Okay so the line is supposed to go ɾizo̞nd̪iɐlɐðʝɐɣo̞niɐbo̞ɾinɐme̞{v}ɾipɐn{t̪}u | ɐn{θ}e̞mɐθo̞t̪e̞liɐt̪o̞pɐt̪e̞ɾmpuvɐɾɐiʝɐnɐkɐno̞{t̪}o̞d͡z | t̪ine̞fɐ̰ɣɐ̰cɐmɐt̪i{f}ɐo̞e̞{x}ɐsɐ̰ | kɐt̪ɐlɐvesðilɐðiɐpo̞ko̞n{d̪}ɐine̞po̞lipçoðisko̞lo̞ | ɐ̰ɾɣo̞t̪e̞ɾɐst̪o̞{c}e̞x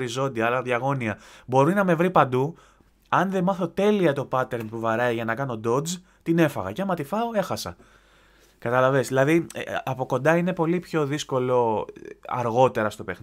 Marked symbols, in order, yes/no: yes, no, no, no, yes, yes, yes, no

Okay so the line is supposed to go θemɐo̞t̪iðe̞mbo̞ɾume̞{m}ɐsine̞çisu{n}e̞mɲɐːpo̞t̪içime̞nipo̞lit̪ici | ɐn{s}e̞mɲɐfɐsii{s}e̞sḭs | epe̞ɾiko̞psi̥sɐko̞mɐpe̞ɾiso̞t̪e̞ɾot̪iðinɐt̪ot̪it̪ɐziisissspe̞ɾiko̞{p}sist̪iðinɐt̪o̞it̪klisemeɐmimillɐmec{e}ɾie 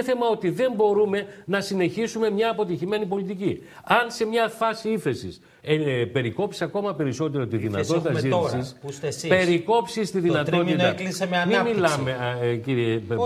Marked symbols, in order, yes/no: no, no, yes, no, yes, no

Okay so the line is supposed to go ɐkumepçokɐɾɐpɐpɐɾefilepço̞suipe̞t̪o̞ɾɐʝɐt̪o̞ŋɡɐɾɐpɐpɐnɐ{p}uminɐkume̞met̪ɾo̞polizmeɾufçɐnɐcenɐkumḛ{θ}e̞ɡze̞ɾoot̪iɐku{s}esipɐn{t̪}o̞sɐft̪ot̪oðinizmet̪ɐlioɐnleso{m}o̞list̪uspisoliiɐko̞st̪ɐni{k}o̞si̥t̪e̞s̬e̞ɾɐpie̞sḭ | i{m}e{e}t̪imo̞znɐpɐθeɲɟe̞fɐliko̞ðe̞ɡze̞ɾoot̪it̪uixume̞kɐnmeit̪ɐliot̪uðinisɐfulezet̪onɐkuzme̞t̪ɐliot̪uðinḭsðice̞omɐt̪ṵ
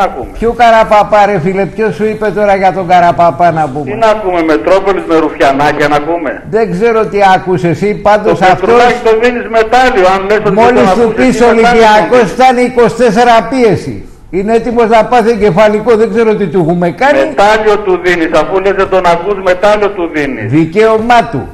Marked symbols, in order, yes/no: yes, no, yes, no, yes, yes, no, yes

